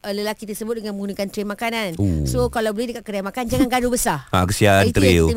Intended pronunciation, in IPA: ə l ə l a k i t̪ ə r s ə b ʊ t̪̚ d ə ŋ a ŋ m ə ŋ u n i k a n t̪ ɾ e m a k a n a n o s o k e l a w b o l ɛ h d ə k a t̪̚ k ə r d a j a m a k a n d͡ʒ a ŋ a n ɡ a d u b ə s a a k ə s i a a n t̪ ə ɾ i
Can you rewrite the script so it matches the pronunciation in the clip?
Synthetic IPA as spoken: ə l ə l a k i t̪ ə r s ə b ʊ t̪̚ d ə ŋ a n m ə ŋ u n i k a n t̪ ɾ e m a k a n a n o s o k a l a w b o l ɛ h d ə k a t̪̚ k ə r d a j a m a k a n d͡ʒ a ŋ a n ɡ a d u b ə s a a k ə s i a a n t̪ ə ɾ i